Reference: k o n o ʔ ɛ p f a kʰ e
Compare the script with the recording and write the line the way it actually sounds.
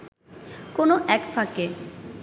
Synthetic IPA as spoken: k o n o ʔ ɛ k f a k e